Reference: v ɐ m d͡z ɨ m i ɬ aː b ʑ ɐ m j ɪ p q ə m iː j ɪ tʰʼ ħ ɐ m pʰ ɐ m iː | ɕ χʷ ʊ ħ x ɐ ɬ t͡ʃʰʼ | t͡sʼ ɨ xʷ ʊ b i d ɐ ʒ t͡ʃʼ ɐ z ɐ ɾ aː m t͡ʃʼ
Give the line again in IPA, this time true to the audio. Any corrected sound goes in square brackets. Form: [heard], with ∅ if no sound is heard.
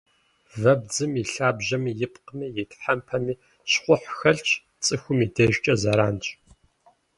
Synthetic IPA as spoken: v ɐ [b] d͡z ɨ m i ɬ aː b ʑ ɐ m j ɪ p q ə m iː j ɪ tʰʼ ħ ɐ m pʰ ɐ m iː | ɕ χʷ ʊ ħ x ɐ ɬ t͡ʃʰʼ | t͡sʼ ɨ xʷ ʊ [m] i d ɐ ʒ t͡ʃʼ ɐ z ɐ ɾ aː [n] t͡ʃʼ

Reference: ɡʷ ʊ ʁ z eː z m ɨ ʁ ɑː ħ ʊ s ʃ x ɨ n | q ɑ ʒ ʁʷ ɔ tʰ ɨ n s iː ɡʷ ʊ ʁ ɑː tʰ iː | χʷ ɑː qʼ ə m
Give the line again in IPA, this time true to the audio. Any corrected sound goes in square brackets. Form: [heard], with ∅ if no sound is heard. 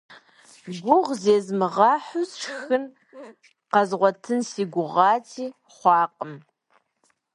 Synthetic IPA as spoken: ɡʷ ʊ ʁ z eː z m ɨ ʁ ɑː ħ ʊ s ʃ x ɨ n | q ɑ [z] ʁʷ ɔ tʰ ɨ n s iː ɡʷ ʊ ʁ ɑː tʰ iː | χʷ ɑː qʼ ə m

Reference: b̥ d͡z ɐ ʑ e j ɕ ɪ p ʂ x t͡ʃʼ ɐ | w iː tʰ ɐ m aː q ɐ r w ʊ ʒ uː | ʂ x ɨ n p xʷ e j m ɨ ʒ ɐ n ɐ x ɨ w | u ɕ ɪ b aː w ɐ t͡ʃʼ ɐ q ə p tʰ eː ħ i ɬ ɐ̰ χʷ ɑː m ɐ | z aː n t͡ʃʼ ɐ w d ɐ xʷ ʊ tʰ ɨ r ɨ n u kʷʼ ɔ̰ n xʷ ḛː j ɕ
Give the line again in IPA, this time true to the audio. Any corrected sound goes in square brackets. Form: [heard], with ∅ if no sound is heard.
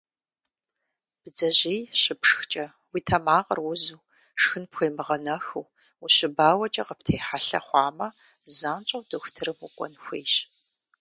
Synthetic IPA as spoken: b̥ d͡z ɐ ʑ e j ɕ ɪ p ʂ x t͡ʃʼ ɐ | w iː tʰ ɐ m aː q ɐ r w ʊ [z] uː | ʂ x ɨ n p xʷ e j m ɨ [ʁ] ɐ n ɐ x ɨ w | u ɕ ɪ b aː w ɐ t͡ʃʼ ɐ q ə p tʰ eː ħ [a] ɬ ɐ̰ χʷ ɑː m ɐ | z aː n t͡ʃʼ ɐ w d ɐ xʷ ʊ tʰ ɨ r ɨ [m] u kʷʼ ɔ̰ n xʷ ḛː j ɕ

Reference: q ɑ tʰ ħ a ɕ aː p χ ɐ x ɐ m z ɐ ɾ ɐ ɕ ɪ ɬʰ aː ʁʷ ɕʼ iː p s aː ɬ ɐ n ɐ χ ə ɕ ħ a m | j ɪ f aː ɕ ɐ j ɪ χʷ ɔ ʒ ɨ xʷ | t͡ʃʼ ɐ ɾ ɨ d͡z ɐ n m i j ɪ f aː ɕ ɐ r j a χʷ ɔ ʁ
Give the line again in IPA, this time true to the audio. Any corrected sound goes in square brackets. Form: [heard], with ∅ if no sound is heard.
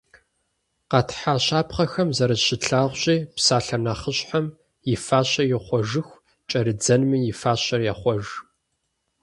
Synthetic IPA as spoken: q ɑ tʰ ħ a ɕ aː p χ ɐ x ɐ m z ɐ ɾ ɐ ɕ ɪ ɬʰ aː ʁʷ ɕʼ iː p s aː ɬ ɐ n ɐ χ ə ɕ ħ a m | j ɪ f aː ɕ ɐ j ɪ χʷ ɔ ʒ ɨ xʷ | t͡ʃʼ ɐ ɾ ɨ d͡z ɐ n m i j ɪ f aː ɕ ɐ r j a χʷ ɔ [ʒ]

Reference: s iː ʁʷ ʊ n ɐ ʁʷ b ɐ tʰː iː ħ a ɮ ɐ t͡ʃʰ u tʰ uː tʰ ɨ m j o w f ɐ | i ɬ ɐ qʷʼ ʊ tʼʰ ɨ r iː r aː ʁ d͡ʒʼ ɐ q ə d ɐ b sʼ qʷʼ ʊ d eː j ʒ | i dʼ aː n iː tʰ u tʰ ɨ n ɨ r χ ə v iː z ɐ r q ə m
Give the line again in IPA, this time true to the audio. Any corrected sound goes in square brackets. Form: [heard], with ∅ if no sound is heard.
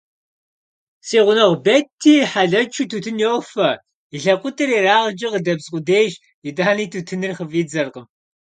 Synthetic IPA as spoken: s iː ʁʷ ʊ n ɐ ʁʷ b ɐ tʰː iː ħ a ɮ ɐ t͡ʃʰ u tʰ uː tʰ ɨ [n] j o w f ɐ | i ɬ ɐ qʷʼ ʊ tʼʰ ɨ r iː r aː ʁ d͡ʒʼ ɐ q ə d ɐ b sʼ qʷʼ ʊ d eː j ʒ | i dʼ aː n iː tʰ u tʰ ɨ n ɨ r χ ə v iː [d͡z] ɐ r q ə m

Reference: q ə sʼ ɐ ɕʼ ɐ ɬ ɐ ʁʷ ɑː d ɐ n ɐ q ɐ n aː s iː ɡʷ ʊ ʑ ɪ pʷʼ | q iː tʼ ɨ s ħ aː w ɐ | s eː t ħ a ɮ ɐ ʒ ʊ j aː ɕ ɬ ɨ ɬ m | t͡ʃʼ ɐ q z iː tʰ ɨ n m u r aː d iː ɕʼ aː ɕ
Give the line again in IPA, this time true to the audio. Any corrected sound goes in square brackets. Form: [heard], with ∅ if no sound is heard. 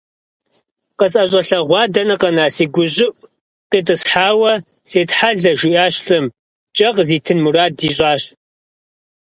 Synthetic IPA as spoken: q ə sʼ ɐ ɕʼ ɐ ɬ ɐ ʁʷ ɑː d ɐ n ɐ q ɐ n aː s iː ɡʷ ʊ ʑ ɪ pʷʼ | q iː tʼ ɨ s ħ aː w ɐ | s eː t ħ a ɮ ɐ ʒ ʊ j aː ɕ ɬ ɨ [∅] m | t͡ʃʼ ɐ q z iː tʰ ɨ n m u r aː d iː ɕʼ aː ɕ

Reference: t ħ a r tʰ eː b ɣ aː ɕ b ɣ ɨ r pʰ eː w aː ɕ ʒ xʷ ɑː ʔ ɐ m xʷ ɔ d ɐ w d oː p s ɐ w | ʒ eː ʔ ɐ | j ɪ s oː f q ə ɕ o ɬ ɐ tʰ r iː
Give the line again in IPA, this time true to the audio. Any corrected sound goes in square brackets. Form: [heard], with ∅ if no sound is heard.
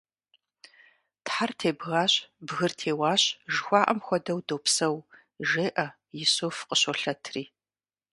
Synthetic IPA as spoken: t ħ a r tʰ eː b ɣ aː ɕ b ɣ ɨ r [tʰ] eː w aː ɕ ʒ xʷ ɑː ʔ ɐ m xʷ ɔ d ɐ w d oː p s ɐ w | ʒ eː ʔ ɐ | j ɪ s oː f q ə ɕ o ɬ ɐ tʰ r iː

